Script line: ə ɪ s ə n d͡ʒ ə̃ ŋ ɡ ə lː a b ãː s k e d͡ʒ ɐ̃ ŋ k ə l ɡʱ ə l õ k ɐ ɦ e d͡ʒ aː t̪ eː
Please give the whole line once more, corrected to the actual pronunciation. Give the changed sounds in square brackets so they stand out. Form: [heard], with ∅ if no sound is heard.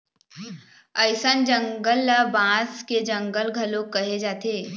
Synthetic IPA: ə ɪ s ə n d͡ʒ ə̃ ŋ ɡ ə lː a b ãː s k e d͡ʒ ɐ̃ ŋ [ɡ] ə l ɡʱ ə l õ k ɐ ɦ e d͡ʒ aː t̪ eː